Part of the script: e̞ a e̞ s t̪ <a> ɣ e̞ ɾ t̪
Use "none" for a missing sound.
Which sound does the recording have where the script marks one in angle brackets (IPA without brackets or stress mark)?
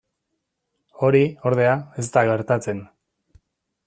a